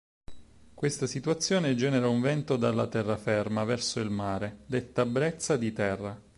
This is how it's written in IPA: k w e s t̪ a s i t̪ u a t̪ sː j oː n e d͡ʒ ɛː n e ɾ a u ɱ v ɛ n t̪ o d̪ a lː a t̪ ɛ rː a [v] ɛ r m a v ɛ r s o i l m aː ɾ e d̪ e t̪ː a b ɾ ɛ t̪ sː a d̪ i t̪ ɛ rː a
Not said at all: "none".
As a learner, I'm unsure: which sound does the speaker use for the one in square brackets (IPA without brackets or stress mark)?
f